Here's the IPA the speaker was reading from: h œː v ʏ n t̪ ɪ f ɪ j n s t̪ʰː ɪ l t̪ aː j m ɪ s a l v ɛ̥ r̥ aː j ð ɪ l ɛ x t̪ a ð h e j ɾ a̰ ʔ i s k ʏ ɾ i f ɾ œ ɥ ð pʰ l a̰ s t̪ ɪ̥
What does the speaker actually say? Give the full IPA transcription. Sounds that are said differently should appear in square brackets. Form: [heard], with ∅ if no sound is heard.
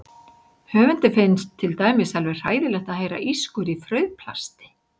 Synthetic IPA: h œː v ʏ n t̪ ɪ f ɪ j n s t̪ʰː ɪ l t̪ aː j m ɪ s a l v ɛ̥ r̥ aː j ð ɪ l ɛ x t̪ a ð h e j ɾ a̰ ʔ i s k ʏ ɾ i f ɾ œ ɥ ð pʰ l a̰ s t̪ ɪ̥